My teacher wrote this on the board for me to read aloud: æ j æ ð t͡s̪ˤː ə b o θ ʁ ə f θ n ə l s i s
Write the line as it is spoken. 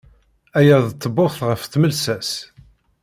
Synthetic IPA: æ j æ ð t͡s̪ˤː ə b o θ ʁ ə f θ m ə l s æ s